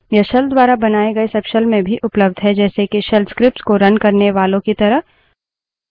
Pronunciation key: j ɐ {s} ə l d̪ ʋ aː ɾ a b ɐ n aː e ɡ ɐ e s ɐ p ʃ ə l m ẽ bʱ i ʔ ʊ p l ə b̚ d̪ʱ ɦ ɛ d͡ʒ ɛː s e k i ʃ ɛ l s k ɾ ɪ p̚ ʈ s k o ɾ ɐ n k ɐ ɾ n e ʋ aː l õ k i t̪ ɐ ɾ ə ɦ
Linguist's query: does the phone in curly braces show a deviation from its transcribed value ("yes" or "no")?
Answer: yes